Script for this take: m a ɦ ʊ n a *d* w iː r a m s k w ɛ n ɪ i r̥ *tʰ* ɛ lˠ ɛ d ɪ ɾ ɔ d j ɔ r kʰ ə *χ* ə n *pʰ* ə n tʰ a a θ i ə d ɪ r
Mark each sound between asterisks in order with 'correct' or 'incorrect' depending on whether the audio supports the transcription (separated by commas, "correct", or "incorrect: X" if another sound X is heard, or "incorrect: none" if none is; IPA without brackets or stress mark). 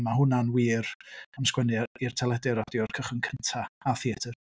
incorrect: n, correct, correct, incorrect: kʰ